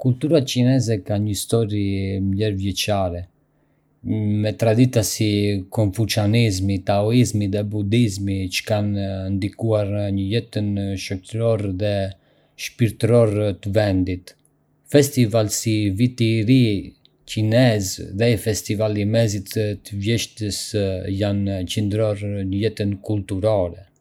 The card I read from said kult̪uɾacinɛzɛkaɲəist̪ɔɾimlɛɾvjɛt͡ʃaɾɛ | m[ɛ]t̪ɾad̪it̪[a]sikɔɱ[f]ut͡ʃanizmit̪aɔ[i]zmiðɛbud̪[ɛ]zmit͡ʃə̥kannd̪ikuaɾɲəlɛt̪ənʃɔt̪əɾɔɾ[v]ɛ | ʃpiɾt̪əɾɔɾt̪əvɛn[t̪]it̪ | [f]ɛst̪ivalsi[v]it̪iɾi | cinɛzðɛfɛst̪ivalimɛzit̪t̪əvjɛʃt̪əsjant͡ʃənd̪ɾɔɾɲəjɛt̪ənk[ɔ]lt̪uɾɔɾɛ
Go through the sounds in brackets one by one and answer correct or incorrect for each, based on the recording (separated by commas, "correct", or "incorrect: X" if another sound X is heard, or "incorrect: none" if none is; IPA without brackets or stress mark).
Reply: correct, correct, correct, correct, incorrect: i, incorrect: ð, incorrect: d̪, correct, correct, incorrect: u